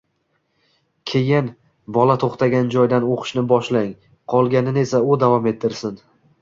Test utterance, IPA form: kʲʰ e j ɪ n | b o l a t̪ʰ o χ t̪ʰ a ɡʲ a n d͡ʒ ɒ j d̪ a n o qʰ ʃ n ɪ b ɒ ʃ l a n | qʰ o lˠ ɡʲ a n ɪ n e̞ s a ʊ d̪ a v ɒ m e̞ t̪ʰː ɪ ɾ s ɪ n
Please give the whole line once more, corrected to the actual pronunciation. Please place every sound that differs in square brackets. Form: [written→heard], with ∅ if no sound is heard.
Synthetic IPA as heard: kʲʰ e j ɪ n | b [o→ɒ] l a t̪ʰ o χ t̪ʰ a ɡʲ a n d͡ʒ ɒ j d̪ a n o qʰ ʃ n ɪ b ɒ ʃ l a [n→ŋ] | qʰ [o→ɒ] lˠ ɡʲ a n ɪ n e̞ s a ʊ d̪ a v ɒ m e̞ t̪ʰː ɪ ɾ s ɪ n